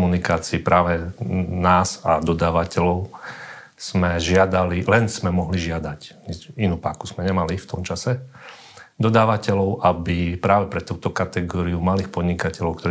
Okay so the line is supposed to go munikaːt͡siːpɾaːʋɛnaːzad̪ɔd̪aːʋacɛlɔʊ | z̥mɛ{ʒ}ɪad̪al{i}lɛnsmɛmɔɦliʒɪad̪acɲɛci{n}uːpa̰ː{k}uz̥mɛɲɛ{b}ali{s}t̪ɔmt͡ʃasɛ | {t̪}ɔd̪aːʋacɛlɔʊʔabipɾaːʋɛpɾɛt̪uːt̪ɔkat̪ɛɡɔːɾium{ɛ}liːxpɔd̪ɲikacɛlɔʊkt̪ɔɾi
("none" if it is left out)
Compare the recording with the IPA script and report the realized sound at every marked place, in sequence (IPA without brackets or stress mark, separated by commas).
ʒ, i, n, k, m, f, d̪, a